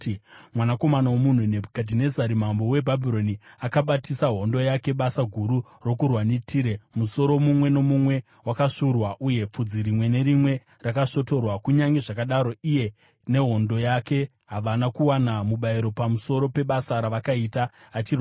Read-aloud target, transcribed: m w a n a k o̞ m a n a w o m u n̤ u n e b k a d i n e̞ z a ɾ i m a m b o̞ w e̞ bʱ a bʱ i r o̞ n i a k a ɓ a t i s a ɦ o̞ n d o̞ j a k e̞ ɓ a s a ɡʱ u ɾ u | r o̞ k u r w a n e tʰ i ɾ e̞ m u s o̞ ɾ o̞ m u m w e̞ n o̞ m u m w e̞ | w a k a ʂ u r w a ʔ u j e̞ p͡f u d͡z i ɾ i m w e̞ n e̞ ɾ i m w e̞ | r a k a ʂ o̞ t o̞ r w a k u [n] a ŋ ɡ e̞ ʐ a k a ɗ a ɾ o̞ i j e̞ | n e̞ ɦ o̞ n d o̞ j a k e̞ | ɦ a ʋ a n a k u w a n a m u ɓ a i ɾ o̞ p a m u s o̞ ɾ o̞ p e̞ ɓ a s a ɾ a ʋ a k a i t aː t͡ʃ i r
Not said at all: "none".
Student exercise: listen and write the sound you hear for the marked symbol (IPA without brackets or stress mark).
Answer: ɲ